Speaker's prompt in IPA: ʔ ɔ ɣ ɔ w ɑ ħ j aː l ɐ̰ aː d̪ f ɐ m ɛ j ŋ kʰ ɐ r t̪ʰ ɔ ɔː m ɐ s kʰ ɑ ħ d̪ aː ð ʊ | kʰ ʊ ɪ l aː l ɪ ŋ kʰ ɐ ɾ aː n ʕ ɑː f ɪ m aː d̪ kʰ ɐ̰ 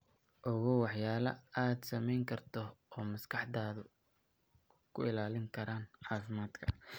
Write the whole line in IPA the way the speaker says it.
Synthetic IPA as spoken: ʔ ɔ ɣ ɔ w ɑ ħ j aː l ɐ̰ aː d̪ s ɐ m ɛ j ŋ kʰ ɐ r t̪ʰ ɔ ɔː m ɐ s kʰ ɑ ħ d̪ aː ð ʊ | kʰ ʊ ɪ l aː l ɪ ŋ kʰ ɐ ɾ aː n ʕ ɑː f ɪ m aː d̪ kʰ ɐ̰